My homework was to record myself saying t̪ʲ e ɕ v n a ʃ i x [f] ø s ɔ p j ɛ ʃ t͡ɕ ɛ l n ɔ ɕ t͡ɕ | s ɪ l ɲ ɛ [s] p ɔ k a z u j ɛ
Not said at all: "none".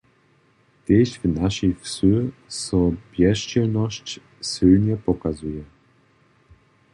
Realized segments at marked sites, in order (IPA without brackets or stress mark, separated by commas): s, none